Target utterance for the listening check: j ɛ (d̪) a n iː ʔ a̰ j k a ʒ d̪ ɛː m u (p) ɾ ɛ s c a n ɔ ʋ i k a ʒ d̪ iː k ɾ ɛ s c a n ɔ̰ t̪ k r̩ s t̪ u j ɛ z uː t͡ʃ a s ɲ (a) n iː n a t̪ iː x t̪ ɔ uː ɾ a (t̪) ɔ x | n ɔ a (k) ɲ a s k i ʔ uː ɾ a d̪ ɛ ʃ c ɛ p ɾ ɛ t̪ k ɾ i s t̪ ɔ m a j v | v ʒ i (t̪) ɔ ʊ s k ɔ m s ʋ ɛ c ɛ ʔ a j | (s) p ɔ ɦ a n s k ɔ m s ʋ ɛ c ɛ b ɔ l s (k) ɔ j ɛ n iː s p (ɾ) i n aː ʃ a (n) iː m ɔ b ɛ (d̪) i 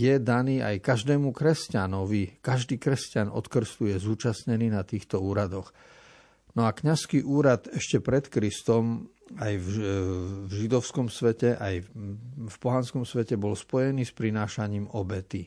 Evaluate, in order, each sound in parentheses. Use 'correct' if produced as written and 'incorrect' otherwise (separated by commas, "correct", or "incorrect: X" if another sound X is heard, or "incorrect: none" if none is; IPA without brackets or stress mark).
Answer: correct, incorrect: k, incorrect: ɛ, incorrect: d̪, correct, incorrect: d̪, incorrect: f, incorrect: p, correct, incorrect: ɲ, incorrect: t̪